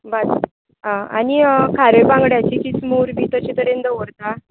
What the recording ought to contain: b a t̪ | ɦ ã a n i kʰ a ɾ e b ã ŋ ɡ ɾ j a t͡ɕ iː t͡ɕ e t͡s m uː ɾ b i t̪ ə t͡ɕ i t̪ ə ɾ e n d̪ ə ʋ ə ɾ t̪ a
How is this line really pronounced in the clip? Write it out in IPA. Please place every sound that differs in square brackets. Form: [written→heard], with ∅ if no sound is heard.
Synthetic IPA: b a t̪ | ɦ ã a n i kʰ a ɾ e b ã ŋ ɡ [ɾ→ɽ] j a t͡ɕ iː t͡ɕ [e→i] t͡s m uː ɾ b i t̪ ə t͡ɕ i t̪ ə ɾ e n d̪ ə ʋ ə ɾ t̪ a